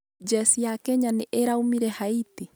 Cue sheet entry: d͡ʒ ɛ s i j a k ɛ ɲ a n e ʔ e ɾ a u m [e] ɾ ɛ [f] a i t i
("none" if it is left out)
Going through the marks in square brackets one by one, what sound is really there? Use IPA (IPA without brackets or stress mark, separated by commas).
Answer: i, h